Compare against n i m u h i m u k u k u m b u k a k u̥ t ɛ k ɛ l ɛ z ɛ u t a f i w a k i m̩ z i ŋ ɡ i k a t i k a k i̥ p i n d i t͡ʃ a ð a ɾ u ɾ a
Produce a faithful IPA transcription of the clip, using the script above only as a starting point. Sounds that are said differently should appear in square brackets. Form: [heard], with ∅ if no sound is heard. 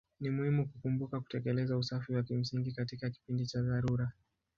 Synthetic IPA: n i m u h i m u k u k u m b u k a k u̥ t ɛ k ɛ l ɛ z [a] u [s] a f i w a k i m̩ [s] i ŋ ɡ i k a t i k a k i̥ p i n d i t͡ʃ a ð a ɾ u ɾ a